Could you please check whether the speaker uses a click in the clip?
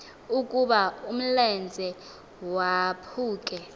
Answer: no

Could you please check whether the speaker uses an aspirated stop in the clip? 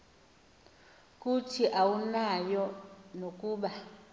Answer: yes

